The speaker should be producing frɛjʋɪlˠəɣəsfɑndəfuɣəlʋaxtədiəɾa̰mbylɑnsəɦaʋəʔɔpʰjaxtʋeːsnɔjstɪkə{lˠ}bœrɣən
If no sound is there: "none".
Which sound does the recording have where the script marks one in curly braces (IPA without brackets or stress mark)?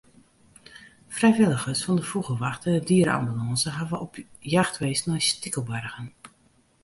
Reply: lˠ